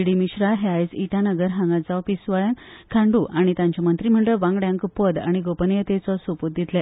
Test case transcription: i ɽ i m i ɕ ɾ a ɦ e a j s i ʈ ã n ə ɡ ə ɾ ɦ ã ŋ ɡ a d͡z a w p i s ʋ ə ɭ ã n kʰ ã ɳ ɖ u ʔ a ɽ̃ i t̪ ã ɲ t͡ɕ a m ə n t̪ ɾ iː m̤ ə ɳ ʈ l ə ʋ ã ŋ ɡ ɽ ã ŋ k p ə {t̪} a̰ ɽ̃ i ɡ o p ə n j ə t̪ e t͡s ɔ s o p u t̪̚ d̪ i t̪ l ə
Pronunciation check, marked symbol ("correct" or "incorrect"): incorrect